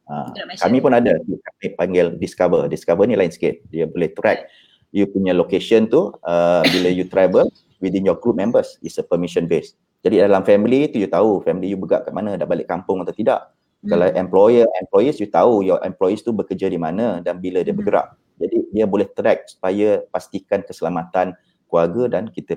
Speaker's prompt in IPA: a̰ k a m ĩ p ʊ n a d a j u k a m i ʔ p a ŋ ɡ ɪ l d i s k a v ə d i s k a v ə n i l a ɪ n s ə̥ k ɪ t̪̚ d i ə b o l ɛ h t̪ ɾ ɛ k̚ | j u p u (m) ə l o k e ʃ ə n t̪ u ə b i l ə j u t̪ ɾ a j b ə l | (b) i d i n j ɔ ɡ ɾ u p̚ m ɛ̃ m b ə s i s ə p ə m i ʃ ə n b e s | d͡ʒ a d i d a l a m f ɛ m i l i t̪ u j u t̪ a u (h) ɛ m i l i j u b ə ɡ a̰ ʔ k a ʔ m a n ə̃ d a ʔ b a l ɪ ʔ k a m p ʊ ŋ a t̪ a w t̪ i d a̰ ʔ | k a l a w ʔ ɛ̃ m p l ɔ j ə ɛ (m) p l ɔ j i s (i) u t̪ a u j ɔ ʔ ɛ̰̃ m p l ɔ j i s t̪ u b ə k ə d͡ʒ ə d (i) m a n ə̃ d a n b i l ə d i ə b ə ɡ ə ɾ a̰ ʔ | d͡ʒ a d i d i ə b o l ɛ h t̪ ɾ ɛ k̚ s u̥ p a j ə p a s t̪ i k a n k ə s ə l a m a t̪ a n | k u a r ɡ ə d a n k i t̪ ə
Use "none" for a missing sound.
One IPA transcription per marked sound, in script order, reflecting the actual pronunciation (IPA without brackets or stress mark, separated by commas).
ɲ, w, f, m, j, i